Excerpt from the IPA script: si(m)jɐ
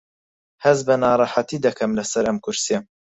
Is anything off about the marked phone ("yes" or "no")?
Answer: yes